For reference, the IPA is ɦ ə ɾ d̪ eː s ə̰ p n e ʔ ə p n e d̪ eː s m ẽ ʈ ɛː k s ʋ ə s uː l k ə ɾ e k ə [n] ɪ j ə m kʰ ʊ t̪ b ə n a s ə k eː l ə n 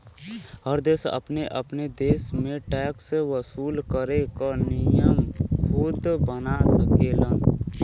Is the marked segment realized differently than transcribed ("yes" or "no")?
no